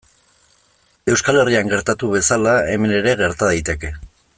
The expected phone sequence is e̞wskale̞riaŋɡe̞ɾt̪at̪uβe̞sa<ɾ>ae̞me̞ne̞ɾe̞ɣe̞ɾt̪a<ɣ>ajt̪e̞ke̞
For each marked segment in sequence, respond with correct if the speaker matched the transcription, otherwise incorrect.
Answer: incorrect, incorrect

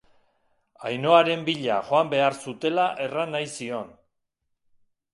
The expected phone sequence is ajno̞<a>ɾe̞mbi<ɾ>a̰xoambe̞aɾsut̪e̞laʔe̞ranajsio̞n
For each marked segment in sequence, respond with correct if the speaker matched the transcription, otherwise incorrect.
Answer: correct, incorrect

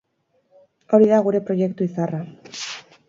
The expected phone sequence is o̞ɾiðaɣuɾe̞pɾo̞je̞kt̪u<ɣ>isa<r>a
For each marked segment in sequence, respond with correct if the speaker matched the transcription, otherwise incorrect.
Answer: incorrect, correct

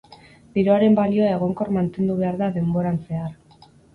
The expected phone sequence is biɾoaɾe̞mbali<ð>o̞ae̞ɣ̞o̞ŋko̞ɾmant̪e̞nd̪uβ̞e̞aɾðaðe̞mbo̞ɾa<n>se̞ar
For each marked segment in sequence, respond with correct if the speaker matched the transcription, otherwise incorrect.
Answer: incorrect, correct

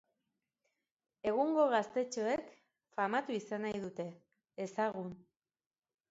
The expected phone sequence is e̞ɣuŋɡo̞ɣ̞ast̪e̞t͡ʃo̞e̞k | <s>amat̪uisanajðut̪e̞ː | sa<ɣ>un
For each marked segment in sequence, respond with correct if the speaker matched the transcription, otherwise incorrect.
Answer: incorrect, correct

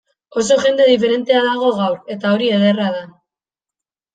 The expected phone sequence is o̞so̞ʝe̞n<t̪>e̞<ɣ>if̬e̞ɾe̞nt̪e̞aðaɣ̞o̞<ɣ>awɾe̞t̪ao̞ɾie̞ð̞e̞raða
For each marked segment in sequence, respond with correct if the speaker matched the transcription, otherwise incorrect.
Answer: incorrect, incorrect, correct

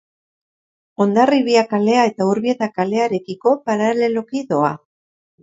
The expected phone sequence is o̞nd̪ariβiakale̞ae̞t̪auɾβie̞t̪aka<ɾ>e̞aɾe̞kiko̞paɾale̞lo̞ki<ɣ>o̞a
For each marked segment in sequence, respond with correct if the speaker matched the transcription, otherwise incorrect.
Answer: incorrect, incorrect

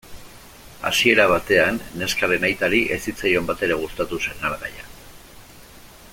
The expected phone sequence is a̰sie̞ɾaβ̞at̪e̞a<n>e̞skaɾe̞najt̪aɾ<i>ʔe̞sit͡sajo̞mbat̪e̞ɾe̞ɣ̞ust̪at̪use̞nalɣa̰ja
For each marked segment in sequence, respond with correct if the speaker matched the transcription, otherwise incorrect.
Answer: incorrect, correct

